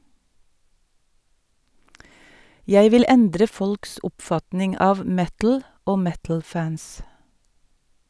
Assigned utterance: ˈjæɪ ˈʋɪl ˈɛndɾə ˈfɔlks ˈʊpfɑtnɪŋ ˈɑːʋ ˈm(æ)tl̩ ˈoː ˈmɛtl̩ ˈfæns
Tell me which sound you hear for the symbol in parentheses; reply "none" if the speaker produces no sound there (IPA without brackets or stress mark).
ɛ